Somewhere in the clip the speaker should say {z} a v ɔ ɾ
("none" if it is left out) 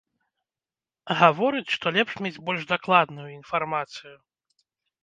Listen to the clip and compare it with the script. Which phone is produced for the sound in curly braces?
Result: ɣ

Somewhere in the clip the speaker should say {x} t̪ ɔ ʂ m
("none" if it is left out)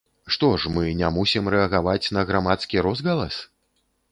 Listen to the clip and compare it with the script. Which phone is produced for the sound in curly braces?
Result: ʂ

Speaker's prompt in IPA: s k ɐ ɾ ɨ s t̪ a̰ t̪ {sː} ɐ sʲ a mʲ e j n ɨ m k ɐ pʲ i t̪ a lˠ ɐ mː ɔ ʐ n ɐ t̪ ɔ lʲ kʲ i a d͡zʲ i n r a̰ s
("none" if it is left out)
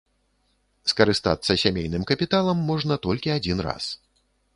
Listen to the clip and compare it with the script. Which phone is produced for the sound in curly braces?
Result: sː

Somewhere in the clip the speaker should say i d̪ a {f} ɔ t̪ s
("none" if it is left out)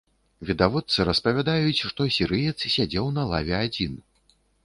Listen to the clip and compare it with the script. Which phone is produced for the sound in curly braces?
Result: v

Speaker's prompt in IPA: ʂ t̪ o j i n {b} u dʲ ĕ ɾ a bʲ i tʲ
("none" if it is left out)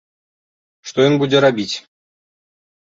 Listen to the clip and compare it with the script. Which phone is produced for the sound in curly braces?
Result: b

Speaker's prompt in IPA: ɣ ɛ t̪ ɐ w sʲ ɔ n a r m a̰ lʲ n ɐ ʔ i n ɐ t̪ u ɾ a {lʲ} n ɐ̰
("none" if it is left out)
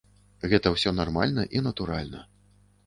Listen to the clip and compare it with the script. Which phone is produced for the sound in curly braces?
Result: lʲ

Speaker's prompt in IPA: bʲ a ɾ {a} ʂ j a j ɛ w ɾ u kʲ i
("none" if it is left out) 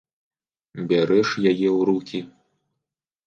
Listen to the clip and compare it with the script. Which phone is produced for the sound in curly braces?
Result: ɛ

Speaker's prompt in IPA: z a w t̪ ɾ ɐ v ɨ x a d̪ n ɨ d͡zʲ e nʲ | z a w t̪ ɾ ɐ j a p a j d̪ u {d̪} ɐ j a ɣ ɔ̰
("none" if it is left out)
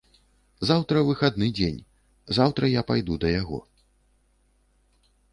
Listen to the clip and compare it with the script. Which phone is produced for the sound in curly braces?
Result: d̪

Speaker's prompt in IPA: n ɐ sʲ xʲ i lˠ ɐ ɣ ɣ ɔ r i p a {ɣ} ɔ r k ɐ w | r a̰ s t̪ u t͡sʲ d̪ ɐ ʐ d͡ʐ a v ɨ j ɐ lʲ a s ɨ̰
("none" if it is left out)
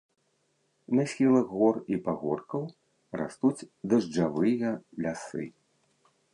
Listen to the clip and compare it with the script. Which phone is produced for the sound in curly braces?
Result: ɣ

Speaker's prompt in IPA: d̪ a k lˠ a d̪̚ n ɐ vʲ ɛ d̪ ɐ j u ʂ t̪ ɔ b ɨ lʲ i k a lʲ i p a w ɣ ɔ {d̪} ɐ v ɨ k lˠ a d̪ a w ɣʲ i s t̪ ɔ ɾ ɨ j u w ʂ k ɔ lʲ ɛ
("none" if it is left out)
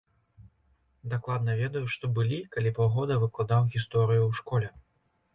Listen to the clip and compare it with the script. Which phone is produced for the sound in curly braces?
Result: d̪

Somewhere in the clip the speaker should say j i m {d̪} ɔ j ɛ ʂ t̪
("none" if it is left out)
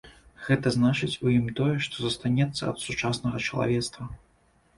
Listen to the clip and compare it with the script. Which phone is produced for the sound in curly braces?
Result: t̪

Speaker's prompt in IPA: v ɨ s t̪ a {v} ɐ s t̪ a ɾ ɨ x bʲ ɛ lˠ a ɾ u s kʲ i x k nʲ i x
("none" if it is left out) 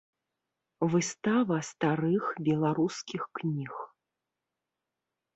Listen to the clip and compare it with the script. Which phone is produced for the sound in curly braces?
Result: v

